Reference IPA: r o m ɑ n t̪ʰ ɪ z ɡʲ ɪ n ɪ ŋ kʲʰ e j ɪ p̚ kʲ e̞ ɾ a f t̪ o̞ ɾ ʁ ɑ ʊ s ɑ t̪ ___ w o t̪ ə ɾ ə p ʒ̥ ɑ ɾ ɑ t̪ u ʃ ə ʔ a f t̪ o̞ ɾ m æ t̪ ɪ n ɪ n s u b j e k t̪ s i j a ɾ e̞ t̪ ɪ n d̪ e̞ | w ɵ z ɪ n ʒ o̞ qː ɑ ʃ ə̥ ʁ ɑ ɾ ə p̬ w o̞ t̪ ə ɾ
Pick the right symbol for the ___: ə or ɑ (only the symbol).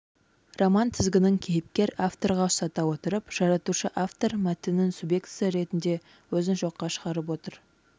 ɑ